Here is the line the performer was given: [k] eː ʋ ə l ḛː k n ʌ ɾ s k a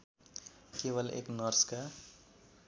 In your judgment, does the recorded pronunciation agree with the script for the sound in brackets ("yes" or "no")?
yes